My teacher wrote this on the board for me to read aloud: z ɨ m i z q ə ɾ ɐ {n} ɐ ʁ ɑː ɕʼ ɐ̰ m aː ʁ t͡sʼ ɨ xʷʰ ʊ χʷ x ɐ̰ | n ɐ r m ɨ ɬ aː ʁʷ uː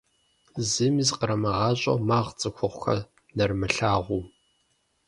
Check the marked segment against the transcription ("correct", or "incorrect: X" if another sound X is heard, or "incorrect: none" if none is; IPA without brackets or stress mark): incorrect: m